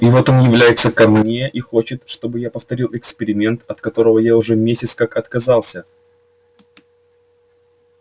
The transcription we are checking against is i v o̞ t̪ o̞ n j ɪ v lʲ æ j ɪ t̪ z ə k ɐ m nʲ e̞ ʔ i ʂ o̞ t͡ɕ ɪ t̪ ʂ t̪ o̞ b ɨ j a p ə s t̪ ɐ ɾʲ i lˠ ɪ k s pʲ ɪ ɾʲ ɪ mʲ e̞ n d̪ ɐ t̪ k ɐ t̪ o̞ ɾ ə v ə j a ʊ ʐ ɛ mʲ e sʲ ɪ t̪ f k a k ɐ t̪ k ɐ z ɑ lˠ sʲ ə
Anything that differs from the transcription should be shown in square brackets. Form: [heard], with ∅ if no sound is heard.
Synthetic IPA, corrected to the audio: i v o̞ t̪ o̞ n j ɪ v lʲ æ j ɪ t̪ [s] ə k ɐ m nʲ e̞ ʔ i [x] o̞ t͡ɕ ɪ t̪ ʂ t̪ o̞ b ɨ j a p ə [f] t̪ ɐ ɾʲ i lˠ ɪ k s pʲ ɪ ɾʲ ɪ mʲ e̞ n [t̪] ɐ t̪ k ɐ t̪ o̞ ɾ ə v ə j a ʊ ʐ ɛ mʲ e sʲ ɪ t̪ [s] k a k ɐ t̪ k ɐ z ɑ lˠ sʲ ə